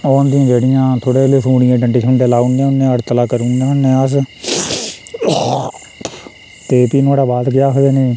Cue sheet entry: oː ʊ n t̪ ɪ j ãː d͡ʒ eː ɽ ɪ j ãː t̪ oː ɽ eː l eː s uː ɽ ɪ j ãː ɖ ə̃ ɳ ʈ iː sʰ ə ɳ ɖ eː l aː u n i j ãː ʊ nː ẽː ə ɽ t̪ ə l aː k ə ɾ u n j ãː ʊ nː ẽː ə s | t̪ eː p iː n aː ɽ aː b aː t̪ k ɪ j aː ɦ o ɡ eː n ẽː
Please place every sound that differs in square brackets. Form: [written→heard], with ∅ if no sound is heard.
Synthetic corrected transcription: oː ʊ n [t̪→d̪] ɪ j ãː d͡ʒ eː ɽ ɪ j ãː [t̪→t̪ʰ] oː ɽ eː l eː s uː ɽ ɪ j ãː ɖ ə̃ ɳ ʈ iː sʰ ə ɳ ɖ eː l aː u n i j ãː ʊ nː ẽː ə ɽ t̪ ə l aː k ə ɾ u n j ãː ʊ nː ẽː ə s | t̪ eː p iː n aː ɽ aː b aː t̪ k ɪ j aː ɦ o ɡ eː n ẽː